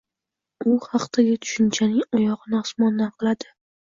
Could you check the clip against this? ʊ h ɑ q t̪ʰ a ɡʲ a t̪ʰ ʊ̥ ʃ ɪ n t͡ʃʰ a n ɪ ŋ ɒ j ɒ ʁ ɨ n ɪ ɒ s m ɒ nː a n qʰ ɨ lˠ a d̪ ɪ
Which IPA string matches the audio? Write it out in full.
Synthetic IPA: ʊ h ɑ q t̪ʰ a ɡʲ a t̪ʰ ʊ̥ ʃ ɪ n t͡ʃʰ a n ɪ ŋ ɒ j ɒ ʁ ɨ n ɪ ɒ s m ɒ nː a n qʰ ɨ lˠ a d̪ ɪ